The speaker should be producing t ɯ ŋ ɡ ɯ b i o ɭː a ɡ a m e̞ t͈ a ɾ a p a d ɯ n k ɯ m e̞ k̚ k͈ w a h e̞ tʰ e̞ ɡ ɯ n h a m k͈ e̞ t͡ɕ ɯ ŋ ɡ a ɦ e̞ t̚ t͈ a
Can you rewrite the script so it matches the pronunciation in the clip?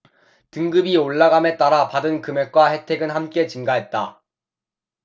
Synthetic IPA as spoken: t ɯ ŋ ɡ ɯ b i o ɭː a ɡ a m e̞ t͈ a ɾ a p a d ɯ n k ɯ m e̞ k̚ k͈ w a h e̞ tʰ e̞ ɡ ɯ n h a m k͈ e̞ t͡ɕ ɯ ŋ ɡ a ɦ e̞ t̚ t͈ a